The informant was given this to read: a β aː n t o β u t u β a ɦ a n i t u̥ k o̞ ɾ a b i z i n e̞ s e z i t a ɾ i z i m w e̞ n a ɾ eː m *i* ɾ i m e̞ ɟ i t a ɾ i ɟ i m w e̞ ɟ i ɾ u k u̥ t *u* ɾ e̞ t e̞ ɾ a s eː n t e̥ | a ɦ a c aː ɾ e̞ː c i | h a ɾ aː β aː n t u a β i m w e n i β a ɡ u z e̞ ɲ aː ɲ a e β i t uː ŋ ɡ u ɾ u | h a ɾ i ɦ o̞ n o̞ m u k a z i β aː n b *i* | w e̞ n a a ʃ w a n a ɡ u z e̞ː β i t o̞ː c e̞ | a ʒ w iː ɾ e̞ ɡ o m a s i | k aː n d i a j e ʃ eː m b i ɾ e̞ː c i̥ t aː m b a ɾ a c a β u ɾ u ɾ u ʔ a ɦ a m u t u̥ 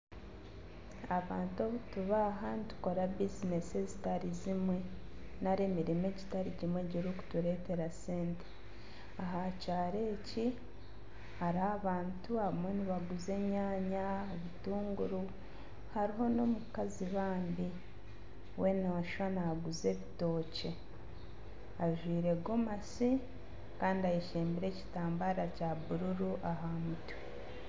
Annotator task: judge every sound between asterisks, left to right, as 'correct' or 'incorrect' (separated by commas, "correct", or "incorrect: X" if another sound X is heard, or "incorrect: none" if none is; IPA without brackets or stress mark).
correct, correct, correct